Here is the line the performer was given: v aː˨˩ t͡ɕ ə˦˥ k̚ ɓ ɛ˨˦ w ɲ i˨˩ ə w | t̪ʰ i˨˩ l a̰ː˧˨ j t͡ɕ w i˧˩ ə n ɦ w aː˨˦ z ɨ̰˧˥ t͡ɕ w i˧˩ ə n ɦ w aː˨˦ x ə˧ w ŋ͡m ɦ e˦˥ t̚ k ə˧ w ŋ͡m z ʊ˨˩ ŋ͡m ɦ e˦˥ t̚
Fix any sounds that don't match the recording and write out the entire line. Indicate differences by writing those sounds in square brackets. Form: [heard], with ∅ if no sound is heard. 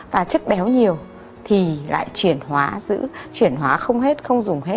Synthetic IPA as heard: v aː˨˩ t͡ɕ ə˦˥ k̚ ɓ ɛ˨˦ w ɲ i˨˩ ə w | t̪ʰ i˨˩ l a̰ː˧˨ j t͡ɕ w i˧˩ ə n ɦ w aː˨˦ z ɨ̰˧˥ t͡ɕ w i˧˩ ə n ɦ w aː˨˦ x ə˧ w ŋ͡m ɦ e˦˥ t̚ [x] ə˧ w ŋ͡m z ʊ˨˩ ŋ͡m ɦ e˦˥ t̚